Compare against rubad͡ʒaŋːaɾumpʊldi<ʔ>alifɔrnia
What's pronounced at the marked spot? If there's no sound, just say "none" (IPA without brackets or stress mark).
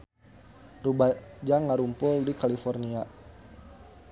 k